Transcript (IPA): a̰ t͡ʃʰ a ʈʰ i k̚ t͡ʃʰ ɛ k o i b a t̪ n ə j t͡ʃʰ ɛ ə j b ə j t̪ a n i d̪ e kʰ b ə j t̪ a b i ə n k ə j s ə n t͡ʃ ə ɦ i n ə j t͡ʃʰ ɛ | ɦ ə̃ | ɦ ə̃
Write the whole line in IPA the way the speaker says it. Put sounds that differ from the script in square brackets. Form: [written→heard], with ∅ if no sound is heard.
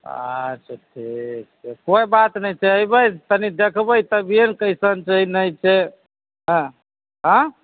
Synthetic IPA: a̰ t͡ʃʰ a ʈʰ i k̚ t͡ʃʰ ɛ k o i b a t̪ n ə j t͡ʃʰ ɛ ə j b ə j t̪ [a→ə] n i d̪ e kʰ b ə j t̪ [a→ə] b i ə n k ə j s ə n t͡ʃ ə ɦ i n ə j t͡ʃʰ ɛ | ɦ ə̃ | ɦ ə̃